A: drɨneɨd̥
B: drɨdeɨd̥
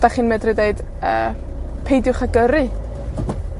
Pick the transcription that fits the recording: B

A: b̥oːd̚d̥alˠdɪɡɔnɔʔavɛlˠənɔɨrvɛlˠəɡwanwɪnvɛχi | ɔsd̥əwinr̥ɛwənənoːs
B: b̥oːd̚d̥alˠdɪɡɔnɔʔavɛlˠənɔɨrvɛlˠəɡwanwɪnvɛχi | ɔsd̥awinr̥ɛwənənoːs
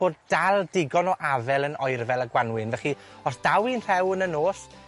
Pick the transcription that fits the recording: B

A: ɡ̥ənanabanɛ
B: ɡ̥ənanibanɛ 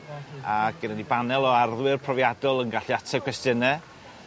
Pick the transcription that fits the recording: B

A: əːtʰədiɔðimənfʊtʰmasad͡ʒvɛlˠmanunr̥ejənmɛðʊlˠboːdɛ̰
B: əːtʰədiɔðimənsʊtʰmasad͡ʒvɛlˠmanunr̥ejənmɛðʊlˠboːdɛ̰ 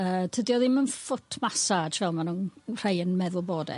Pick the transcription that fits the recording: A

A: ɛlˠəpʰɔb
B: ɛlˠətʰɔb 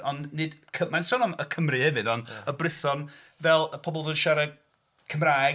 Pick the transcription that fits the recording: A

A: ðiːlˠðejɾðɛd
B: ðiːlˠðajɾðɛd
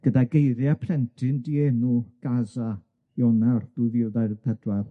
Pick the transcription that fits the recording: B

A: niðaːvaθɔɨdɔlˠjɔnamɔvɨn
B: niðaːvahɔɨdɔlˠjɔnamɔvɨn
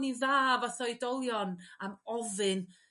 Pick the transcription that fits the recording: A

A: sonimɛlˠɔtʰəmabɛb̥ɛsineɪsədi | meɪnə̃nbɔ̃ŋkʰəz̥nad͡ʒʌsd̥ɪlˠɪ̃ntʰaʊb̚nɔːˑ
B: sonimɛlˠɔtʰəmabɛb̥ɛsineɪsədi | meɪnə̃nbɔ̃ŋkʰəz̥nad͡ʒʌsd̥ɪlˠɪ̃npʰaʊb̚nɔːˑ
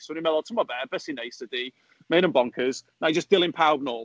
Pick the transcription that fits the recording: B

